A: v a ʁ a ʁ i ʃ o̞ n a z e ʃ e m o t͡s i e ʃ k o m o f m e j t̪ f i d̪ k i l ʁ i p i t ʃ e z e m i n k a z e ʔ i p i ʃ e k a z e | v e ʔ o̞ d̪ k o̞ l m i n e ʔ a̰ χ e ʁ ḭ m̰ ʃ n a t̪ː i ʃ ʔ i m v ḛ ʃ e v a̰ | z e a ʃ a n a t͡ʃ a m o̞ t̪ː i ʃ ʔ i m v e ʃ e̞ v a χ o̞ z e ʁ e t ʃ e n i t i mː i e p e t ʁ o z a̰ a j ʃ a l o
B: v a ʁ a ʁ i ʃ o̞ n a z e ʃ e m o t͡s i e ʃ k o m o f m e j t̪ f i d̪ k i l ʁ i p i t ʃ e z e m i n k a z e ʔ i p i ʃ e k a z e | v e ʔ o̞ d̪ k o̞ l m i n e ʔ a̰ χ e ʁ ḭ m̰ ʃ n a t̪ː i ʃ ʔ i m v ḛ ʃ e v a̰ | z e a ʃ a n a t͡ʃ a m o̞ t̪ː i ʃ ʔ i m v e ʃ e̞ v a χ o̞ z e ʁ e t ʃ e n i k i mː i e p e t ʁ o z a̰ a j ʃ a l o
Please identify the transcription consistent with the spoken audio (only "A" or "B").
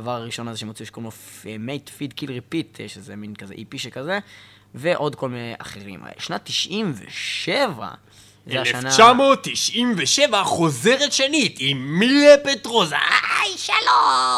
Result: A